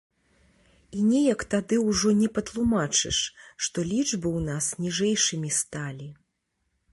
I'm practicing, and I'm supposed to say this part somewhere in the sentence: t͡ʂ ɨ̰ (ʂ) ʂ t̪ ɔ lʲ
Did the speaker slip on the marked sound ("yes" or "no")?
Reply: no